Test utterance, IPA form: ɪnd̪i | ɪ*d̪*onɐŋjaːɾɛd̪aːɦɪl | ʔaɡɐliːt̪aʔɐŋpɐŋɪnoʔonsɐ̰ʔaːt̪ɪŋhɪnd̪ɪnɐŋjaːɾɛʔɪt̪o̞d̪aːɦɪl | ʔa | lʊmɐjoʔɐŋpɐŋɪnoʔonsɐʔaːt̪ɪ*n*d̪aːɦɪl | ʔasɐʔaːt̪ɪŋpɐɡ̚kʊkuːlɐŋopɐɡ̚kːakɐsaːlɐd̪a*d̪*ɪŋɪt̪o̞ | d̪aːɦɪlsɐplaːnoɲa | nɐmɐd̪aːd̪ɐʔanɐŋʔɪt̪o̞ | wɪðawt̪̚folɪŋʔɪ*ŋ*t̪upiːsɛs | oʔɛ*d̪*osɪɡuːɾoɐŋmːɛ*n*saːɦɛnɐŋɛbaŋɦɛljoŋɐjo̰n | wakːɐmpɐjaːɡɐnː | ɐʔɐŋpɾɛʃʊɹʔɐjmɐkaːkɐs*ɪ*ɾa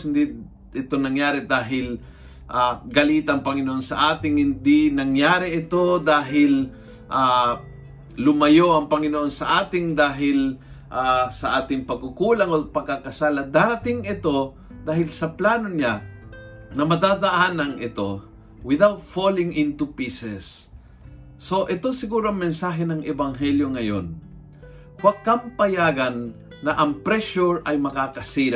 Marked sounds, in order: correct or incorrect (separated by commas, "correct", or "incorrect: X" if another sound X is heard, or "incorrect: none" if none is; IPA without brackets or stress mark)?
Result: incorrect: t̪, incorrect: ŋ, incorrect: t̪, incorrect: n, incorrect: t̪, correct, incorrect: i